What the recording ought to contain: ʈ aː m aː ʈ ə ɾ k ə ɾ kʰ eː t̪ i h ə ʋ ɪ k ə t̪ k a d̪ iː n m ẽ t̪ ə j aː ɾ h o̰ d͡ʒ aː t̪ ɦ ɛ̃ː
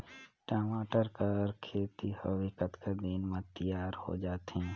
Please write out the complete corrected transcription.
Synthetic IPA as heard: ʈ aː m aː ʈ ə ɾ k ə ɾ kʰ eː t̪ i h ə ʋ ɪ k ə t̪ k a d̪ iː n m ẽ t̪ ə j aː ɾ h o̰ d͡ʒ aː t̪ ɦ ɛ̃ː